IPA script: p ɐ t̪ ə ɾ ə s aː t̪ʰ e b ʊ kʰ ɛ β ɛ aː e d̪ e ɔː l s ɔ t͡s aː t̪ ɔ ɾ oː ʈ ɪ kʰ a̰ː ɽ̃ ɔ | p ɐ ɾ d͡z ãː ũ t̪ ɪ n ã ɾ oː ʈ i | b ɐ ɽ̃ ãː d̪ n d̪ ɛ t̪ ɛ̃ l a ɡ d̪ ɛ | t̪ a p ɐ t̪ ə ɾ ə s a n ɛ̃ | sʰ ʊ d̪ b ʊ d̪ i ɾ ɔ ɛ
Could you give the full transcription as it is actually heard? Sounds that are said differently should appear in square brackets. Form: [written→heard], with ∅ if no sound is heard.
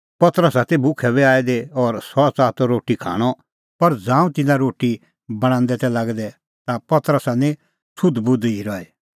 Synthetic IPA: p ɐ t̪ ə ɾ ə s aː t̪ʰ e b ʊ kʰ ɛ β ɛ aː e d̪ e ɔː [l→ɾ] s ɔ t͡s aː t̪ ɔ ɾ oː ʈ [ɪ→i] kʰ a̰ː ɽ̃ ɔ | p ɐ ɾ d͡z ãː ũ t̪ ɪ n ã ɾ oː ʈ i | b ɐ ɽ̃ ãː [d̪→∅] n d̪ ɛ t̪ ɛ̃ l a ɡ d̪ ɛ | t̪ a p ɐ t̪ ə ɾ ə s a n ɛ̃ | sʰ ʊ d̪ b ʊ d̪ i ɾ ɔ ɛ